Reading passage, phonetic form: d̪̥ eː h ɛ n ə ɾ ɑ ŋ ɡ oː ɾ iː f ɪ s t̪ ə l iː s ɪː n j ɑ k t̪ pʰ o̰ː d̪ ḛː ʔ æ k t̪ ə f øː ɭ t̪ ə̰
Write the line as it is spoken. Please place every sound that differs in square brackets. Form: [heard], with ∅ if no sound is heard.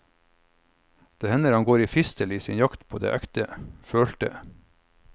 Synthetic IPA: d̪̥ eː h ɛ n ə ɾ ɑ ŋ ɡ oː ɾ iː f ɪ s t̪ ə l iː s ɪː n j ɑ k t̪ pʰ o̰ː d̪ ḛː ʔ æ k t̪ ə f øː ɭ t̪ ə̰